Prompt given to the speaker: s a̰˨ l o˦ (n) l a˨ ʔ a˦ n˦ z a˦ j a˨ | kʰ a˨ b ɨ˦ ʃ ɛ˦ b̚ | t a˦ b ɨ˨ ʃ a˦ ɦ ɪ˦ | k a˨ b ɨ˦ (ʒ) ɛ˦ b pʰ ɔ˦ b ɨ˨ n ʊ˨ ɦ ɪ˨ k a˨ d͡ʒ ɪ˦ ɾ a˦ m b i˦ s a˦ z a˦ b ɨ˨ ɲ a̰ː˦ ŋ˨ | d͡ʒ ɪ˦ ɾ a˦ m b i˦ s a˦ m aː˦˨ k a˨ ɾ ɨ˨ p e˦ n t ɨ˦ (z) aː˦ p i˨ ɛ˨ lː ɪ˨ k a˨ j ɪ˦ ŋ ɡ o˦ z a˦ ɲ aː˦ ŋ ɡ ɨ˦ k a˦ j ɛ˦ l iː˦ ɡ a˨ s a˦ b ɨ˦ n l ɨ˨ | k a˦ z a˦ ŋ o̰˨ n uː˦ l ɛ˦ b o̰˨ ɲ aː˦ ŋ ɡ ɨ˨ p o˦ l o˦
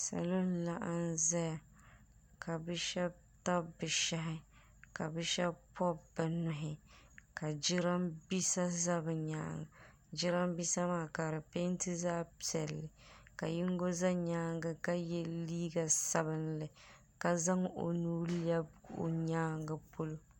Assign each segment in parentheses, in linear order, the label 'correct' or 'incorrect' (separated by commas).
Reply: correct, incorrect, correct